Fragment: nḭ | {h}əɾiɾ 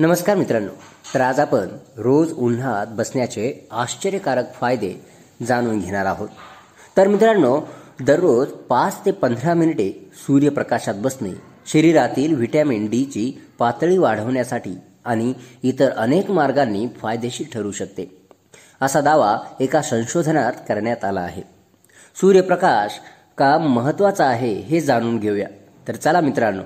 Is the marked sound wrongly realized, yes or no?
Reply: yes